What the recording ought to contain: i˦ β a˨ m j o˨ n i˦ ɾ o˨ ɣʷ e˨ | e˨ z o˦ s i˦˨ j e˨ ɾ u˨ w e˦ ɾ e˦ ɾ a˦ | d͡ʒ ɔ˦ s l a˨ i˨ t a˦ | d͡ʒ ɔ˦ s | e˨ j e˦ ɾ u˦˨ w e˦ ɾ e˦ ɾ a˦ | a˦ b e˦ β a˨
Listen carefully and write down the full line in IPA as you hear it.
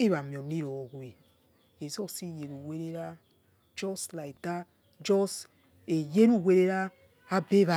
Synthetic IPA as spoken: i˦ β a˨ m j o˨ n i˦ ɾ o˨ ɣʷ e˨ | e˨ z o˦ s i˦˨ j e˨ ɾ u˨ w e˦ ɾ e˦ ɾ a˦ | d͡ʒ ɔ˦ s l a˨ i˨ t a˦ | d͡ʒ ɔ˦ s | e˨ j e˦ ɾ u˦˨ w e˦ ɾ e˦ ɾ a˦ | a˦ b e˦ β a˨

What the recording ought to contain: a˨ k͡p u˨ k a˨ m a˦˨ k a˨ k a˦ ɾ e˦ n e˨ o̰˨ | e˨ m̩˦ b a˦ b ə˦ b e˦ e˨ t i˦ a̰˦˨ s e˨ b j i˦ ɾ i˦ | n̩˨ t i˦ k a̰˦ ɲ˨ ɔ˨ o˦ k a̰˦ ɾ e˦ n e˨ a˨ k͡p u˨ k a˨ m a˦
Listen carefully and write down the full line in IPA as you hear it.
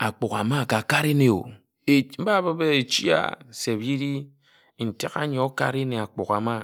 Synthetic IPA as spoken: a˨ k͡p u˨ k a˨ m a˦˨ k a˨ k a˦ ɾ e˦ n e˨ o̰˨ | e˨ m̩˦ b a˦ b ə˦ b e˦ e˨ t͡ʃ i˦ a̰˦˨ s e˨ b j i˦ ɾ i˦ | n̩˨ t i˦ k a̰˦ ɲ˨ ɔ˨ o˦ k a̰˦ ɾ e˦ n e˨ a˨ k͡p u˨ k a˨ m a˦

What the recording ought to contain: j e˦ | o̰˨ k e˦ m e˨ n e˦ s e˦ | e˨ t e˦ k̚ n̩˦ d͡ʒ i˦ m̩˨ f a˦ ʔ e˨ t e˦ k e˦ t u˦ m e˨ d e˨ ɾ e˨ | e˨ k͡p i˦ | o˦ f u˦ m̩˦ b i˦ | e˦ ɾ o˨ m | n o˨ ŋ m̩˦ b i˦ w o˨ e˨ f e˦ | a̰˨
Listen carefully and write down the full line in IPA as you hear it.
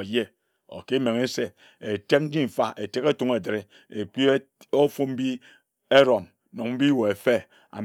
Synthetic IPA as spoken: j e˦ | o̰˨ k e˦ m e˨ ŋ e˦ s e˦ | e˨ t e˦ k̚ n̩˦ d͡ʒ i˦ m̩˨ f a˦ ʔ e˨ t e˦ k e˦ t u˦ ŋ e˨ d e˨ ɾ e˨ | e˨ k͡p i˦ | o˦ f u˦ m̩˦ b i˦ | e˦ ɾ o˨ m | n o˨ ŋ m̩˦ b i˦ w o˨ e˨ f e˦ | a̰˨

